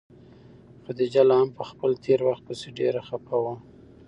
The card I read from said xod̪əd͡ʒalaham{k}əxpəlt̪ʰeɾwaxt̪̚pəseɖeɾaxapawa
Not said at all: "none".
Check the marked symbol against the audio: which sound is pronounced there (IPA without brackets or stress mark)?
p